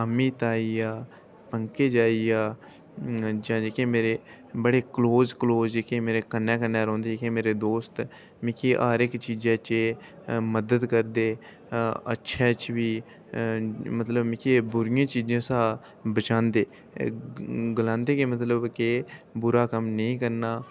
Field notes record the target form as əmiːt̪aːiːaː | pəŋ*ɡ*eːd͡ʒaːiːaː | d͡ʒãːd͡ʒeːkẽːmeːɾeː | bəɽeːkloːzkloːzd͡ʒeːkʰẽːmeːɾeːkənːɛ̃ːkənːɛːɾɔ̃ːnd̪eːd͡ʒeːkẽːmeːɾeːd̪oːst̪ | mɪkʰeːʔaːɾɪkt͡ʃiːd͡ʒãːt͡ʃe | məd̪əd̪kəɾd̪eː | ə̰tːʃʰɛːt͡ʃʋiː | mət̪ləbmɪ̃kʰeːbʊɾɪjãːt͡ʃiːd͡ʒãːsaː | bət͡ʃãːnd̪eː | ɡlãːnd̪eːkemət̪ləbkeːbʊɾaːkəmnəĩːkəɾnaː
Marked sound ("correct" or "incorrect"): incorrect